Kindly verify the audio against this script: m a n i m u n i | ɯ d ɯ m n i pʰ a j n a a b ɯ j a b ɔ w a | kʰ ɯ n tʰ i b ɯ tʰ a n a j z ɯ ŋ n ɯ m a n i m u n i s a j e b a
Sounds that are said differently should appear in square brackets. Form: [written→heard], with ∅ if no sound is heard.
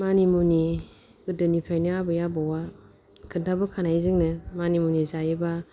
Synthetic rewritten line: m a n i m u n i | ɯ d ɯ [m→∅] n i pʰ a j n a a b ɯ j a b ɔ w a | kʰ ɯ n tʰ [i→a] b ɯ [tʰ→kʰ] a n a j z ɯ ŋ n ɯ m a n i m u n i [s→z] a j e b a